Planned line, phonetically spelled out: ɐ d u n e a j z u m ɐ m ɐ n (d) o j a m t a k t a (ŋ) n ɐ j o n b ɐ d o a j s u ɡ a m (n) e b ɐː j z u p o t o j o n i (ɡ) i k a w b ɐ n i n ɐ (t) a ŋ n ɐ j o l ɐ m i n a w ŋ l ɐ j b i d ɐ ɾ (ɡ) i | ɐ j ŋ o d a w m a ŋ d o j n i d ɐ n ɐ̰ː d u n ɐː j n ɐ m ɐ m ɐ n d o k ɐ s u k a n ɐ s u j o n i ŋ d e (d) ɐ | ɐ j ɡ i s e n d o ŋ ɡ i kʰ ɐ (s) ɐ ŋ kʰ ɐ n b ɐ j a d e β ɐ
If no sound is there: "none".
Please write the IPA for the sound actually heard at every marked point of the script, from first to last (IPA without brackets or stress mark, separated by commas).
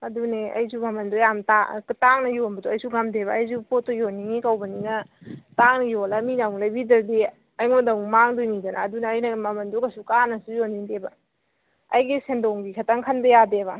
d, ŋ, d, ŋ, t, d, b, t